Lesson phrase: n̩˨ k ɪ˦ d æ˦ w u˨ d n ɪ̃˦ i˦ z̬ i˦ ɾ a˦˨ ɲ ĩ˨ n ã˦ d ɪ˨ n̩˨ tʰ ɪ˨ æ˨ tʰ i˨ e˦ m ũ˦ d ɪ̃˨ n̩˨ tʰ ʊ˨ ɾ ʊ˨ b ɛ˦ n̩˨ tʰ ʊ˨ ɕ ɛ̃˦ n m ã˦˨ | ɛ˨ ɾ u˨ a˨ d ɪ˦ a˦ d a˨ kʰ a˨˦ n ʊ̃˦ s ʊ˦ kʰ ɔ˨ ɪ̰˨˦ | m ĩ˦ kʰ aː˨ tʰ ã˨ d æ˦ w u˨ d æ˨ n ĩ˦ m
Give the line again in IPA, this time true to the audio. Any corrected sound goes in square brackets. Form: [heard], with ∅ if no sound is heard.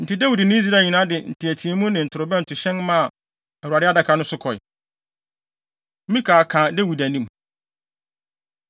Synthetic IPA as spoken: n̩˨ [t] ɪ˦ d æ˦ w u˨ d n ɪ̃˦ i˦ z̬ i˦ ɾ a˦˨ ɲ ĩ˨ n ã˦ d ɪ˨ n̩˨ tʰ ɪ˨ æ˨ tʰ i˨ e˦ m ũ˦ [n] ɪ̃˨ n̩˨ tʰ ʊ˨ ɾ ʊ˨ b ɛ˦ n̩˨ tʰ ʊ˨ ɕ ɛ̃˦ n m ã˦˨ | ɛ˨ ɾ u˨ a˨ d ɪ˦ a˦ d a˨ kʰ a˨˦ n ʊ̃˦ s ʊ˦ kʰ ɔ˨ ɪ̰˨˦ | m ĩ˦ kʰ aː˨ [kʰ] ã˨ d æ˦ w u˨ d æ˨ n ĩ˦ m